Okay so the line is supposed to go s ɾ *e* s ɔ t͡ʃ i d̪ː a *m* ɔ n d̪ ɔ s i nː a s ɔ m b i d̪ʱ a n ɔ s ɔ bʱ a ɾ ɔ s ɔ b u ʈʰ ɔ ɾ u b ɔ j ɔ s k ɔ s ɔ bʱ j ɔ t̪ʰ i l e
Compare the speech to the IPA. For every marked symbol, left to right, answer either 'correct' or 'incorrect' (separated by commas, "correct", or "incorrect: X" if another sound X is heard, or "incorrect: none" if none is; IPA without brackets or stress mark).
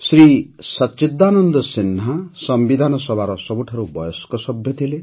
incorrect: i, incorrect: n